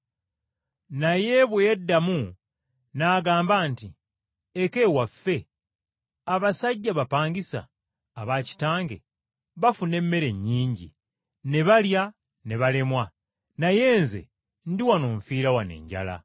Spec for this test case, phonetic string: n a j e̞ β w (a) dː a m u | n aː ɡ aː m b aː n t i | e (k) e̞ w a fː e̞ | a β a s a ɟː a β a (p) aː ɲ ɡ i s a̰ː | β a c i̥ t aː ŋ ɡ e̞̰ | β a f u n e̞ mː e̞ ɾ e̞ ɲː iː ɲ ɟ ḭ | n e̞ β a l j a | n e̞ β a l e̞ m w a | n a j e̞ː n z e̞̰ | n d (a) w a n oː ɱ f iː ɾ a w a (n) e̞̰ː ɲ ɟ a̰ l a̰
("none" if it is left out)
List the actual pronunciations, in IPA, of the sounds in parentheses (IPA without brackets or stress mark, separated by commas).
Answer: e, k, p, i, n